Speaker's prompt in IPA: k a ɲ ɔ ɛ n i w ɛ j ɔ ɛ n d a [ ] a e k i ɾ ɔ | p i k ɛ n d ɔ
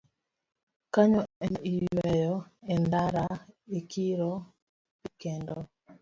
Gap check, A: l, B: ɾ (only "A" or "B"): B